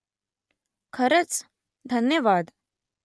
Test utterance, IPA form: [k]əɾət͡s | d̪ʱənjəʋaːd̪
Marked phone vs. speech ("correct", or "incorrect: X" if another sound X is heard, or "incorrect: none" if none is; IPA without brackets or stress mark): incorrect: kʰ